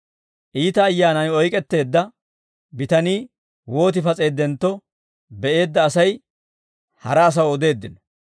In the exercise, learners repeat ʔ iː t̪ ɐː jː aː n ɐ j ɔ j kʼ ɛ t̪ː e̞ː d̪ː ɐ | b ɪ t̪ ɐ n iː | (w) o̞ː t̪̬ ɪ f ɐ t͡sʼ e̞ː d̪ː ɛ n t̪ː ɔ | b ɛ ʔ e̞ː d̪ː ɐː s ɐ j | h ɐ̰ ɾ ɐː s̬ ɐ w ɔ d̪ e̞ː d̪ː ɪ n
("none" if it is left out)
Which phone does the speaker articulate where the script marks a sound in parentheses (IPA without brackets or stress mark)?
w